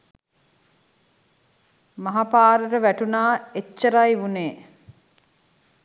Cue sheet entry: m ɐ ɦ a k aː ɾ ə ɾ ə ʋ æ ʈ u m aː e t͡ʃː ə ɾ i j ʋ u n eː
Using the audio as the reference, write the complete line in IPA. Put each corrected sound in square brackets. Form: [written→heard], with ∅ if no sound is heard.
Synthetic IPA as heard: m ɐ ɦ a [k→p] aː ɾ ə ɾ ə ʋ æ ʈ u [m→n] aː e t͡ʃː ə ɾ [i→a] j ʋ u n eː